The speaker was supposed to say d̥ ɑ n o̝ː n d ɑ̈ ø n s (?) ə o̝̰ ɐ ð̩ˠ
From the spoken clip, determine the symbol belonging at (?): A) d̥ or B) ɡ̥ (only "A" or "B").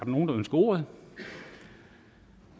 B